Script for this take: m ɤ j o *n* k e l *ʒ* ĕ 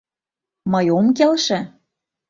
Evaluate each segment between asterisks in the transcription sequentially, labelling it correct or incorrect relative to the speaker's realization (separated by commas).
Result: incorrect, incorrect